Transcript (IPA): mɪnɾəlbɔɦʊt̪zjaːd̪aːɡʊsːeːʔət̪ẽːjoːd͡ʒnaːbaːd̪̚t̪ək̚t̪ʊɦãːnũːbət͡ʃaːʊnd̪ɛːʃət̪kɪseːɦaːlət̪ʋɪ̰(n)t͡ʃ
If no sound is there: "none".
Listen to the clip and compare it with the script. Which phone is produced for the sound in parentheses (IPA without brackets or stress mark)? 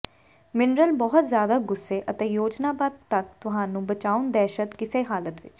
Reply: none